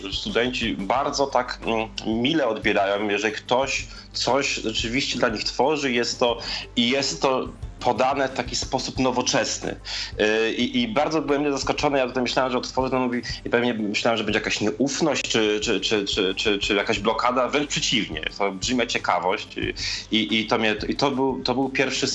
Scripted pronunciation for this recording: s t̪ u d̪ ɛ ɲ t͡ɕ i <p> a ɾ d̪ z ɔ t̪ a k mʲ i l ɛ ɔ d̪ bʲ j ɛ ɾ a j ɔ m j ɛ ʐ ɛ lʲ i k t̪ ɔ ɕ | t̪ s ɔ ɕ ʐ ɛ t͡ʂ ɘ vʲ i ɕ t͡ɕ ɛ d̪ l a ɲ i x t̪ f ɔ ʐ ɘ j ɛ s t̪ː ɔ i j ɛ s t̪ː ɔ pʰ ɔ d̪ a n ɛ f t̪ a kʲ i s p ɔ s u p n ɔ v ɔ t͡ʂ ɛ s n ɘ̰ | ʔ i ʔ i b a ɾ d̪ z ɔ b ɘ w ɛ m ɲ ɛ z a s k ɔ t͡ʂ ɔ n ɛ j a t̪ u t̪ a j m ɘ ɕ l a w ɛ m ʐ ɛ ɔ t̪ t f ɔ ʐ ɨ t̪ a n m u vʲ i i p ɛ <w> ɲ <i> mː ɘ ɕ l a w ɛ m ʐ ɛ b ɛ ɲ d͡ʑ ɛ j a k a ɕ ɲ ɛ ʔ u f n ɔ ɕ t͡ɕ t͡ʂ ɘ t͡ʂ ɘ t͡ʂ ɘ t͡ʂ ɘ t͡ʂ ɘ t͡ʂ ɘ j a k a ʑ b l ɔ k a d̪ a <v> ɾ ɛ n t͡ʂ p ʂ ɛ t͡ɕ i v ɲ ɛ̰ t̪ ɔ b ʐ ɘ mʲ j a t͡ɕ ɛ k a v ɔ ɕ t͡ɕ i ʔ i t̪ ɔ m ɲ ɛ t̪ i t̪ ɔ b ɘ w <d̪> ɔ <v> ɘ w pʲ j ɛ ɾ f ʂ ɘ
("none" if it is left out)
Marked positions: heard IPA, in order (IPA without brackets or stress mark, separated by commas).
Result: b, v, ɛ, v, t̪, b